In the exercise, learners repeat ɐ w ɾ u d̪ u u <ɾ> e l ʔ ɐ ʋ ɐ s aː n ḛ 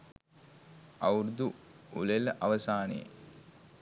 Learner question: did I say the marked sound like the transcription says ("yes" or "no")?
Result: no